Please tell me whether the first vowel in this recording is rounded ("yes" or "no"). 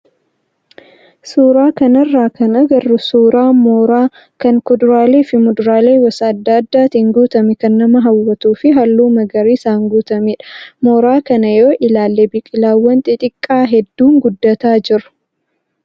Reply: yes